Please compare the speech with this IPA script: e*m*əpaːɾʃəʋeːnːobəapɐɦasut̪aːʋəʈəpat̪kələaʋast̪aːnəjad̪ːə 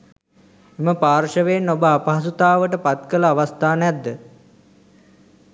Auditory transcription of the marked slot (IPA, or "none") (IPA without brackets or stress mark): m